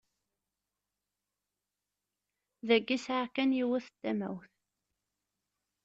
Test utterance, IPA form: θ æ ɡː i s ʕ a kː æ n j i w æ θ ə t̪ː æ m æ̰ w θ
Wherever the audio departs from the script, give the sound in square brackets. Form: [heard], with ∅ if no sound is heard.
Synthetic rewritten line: [ð] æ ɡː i s ʕ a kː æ n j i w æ θ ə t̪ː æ m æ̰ w θ